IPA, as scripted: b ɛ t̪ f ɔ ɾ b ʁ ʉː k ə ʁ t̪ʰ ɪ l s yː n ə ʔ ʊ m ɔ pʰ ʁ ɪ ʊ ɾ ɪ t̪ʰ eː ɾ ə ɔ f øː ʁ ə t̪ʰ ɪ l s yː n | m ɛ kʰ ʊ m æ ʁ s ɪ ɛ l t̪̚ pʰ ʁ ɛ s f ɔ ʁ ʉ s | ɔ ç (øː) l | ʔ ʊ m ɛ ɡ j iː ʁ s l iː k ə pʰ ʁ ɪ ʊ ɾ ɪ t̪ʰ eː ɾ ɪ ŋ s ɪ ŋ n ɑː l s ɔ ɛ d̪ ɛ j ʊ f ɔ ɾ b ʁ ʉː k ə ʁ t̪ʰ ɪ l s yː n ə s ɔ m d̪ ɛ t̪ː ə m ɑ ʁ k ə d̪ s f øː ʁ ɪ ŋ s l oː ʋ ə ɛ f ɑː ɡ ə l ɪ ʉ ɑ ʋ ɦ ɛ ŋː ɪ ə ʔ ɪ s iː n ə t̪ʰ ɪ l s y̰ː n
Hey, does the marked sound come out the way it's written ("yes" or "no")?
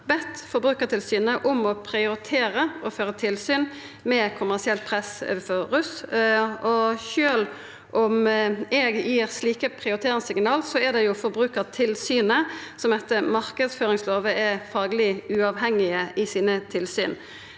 yes